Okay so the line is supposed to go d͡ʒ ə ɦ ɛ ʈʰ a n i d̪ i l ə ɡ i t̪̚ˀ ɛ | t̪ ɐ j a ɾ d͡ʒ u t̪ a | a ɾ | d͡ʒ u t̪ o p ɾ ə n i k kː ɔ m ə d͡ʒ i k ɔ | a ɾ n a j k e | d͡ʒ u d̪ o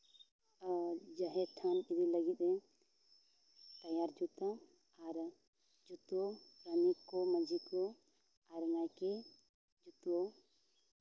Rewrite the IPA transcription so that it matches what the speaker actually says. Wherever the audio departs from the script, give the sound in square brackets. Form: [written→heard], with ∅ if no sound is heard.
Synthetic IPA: d͡ʒ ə ɦ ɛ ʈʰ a n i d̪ i l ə ɡ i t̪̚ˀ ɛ | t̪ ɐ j a ɾ d͡ʒ u t̪ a | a ɾ | d͡ʒ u t̪ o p ɾ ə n i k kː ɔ m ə d͡ʒ i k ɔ | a ɾ [n→ŋ] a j k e | d͡ʒ u [d̪→t̪] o